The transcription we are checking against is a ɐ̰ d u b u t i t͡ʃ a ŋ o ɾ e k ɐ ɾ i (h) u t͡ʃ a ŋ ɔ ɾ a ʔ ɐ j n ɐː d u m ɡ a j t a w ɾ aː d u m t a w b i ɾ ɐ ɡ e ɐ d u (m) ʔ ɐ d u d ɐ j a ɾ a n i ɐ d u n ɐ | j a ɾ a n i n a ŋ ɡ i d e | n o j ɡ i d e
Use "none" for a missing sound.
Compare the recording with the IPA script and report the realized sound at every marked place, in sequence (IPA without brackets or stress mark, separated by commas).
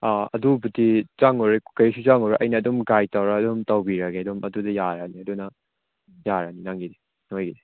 s, m